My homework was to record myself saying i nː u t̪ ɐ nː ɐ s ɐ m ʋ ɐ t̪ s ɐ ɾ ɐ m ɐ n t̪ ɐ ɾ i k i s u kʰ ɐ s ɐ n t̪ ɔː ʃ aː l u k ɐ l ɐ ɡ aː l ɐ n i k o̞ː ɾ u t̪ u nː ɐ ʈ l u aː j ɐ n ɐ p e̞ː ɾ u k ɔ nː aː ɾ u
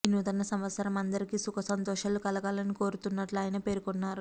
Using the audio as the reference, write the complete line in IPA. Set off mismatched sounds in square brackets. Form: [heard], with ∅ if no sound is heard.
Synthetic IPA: i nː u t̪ ɐ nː ɐ s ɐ m ʋ ɐ t̪ s ɐ ɾ ɐ m ɐ n [d̪] ɐ ɾ i k i s u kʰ ɐ s ɐ n t̪ ɔː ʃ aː l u k ɐ l ɐ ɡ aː l ɐ n i k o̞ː ɾ u t̪ u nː ɐ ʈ l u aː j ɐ n ɐ p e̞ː ɾ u k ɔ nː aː ɾ u